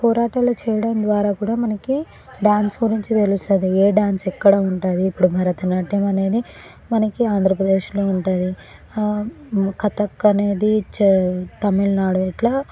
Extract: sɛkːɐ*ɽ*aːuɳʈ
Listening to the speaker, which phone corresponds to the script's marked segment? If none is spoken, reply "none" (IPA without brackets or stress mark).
ɽ